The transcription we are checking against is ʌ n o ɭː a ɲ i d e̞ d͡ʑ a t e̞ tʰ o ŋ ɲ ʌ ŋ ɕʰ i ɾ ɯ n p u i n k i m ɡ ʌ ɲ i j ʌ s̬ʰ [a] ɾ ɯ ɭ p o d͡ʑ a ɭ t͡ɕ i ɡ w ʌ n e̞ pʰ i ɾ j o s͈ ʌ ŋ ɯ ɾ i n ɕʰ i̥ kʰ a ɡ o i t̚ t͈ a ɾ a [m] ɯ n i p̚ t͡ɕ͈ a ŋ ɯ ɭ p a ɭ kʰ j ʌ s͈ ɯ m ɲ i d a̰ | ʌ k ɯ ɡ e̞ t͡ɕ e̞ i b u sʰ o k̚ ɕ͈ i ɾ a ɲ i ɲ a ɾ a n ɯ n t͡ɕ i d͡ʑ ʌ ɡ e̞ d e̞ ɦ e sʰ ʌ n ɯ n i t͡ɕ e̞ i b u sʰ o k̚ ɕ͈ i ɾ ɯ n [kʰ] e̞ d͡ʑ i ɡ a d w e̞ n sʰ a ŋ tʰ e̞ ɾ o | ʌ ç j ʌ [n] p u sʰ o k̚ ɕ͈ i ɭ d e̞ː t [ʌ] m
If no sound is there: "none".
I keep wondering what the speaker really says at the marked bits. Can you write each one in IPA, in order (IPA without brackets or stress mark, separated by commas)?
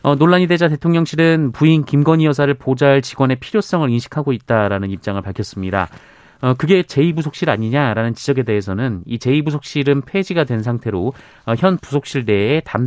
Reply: a, n, pʰ, n, a